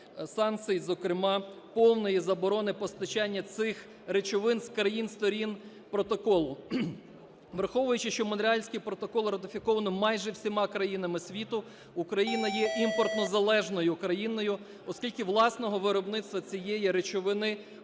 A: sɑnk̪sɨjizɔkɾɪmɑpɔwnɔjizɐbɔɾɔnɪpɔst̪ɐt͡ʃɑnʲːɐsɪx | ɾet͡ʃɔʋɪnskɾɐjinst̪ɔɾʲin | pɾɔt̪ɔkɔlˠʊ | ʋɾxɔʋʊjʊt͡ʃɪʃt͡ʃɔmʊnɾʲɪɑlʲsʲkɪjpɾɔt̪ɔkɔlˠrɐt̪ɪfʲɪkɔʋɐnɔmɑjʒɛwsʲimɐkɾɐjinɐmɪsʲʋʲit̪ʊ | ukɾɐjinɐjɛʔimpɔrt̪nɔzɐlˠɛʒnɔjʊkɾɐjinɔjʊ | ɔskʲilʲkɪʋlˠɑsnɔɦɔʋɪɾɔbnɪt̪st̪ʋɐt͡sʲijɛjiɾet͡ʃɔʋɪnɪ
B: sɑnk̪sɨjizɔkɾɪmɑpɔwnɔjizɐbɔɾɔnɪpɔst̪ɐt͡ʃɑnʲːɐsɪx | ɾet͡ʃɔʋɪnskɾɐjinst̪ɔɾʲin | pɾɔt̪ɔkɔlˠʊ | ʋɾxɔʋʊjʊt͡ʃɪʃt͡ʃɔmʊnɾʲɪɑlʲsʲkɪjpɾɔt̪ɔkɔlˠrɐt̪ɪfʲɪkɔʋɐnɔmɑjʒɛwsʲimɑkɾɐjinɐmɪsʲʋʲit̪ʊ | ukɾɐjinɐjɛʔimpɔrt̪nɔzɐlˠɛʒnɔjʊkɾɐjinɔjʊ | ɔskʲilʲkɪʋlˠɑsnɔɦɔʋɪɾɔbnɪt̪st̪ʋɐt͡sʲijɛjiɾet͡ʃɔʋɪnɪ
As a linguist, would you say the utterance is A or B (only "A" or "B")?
B